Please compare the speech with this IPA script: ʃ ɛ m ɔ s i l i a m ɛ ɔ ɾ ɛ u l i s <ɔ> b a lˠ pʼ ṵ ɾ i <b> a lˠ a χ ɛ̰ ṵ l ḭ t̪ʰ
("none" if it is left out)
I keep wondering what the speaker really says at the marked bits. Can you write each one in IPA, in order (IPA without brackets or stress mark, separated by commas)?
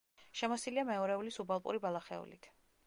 u, b